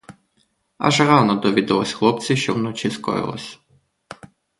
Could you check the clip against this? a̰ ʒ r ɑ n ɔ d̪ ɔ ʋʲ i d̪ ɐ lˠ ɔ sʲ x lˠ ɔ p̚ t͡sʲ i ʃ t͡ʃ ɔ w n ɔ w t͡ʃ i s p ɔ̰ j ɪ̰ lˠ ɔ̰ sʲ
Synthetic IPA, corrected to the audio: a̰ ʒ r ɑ n ɔ d̪ ɔ ʋʲ i d̪ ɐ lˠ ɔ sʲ x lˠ ɔ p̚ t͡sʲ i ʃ t͡ʃ ɔ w n ɔ t͡ʃ i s k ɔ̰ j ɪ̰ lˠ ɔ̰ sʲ

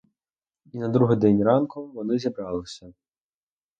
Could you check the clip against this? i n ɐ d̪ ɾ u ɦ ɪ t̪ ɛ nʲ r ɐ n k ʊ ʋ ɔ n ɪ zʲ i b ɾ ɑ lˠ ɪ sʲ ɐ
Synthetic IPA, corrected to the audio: i n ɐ d̪ ɾ u ɦ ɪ d̪ ɛ nʲ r ɑ n k ʊ ʋ ɔ n ɪ zʲ i b ɾ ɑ lˠ ɪ sʲ ɐ

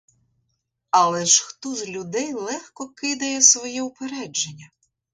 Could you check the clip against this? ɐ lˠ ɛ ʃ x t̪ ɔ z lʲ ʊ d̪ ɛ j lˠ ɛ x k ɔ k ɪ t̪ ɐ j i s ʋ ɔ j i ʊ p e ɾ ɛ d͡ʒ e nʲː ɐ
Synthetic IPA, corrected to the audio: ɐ lˠ ɛ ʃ x t̪ ɔ z lʲ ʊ d̪ ɛ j lˠ ɛ x k ɔ k ɪ d̪ ɐ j ɛ s ʋ ɔ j i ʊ p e ɾ ɛ d͡ʒ e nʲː ɐ

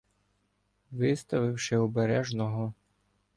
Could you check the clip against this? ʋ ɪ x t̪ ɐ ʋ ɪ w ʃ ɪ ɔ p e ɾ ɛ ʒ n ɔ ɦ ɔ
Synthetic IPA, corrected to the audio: ʋ ɪ s t̪ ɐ ʋ ɪ w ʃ ɪ ɔ b e ɾ ɛ ʒ n ɔ ɦ ɔ

